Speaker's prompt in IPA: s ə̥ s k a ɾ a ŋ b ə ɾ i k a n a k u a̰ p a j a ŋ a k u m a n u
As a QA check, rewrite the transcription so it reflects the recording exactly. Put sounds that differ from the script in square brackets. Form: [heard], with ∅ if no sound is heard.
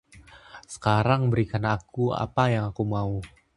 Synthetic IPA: s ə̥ [∅] k a ɾ a ŋ b ə ɾ i k a n a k u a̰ p a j a ŋ a k u m a [∅] u

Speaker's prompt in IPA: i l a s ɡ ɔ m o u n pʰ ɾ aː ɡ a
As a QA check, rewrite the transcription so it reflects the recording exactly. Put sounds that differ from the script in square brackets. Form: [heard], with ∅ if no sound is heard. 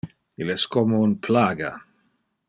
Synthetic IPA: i l [ɛ] s [k] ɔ m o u n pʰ [l] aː ɡ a

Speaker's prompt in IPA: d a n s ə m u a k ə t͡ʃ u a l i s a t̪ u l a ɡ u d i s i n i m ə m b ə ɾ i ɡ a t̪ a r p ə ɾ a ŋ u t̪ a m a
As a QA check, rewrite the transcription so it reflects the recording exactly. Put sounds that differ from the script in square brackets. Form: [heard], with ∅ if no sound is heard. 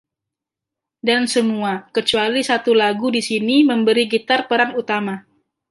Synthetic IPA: d a n s ə m u a k ə t͡ʃ u a l i s a t̪ u l a ɡ u d i s i n i m ə m b ə ɾ i ɡ [i] t̪ a r p ə ɾ a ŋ u t̪ a m a

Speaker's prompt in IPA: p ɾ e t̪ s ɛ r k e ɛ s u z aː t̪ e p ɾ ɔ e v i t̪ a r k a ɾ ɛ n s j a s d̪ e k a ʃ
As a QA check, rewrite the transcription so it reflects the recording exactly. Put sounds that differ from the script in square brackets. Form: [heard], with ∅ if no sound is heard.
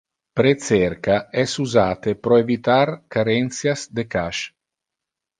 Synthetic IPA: p ɾ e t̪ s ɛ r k [a] ɛ s u z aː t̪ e p ɾ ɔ e v i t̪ a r k a ɾ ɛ n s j a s d̪ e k a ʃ

